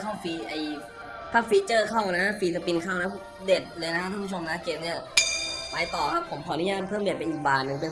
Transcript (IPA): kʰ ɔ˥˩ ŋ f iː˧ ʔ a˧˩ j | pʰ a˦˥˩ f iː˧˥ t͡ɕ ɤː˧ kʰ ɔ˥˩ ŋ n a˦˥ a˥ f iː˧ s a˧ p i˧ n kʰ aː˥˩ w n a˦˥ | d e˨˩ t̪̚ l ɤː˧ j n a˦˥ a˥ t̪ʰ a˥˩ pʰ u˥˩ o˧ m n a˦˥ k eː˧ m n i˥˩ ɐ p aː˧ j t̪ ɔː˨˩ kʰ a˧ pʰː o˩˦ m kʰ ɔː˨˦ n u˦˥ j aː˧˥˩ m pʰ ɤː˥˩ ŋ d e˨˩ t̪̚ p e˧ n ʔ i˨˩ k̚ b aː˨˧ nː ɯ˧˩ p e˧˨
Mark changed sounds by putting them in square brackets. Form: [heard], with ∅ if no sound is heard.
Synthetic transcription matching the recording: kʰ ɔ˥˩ ŋ f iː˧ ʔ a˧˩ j | pʰ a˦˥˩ f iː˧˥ t͡ɕ [ɤː˥˩] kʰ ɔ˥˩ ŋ n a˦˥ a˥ f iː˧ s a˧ p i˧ n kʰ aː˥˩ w n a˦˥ | d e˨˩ t̪̚ l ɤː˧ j n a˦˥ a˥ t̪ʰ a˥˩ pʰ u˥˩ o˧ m n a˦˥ k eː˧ m n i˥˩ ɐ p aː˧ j t̪ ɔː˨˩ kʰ [a˦˥] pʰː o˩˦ m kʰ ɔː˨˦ n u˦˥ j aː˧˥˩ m pʰ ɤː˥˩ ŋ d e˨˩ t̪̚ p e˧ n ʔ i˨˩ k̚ b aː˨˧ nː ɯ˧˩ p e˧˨